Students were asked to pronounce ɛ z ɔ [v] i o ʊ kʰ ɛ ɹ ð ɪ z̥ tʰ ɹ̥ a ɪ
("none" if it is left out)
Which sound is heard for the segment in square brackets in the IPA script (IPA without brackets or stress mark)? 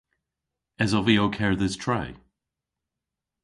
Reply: v